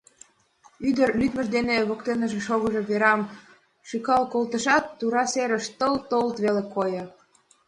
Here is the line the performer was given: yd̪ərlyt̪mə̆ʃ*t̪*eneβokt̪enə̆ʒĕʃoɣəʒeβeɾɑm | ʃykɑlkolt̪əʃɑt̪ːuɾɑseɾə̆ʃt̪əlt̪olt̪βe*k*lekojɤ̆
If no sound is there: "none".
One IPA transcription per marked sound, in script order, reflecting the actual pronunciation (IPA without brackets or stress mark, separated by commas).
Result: d̪, none